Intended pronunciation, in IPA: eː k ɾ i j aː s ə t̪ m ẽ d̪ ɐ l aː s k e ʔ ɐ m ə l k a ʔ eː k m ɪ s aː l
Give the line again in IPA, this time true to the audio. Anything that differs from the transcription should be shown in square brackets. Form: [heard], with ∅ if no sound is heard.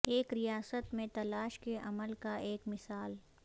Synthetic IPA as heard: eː k ɾ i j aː s ə t̪ m ẽ [t̪] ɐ l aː [ʃ] k e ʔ ɐ m ə l k a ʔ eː k m ɪ s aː l